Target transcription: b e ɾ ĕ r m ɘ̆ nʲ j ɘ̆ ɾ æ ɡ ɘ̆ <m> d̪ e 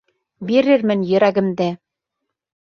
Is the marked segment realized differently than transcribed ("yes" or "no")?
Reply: no